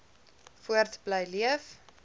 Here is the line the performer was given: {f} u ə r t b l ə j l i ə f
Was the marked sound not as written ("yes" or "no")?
no